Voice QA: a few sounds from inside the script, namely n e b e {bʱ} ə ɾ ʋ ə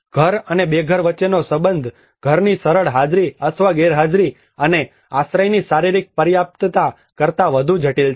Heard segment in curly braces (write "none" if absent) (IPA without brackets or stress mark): ɡʱ